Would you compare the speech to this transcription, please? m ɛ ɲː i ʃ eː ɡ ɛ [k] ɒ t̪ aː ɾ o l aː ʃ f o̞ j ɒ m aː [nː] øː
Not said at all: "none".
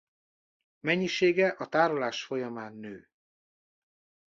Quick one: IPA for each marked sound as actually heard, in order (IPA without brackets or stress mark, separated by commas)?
ʔ, nː